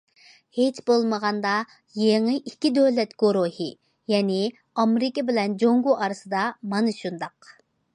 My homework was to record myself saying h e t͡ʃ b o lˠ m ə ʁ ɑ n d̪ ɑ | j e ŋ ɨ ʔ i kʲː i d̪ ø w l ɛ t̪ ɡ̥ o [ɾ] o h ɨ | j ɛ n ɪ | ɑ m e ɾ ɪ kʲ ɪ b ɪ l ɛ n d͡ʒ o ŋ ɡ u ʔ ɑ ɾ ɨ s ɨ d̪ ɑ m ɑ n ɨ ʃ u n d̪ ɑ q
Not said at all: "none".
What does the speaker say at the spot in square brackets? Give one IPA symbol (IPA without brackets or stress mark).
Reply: ɾ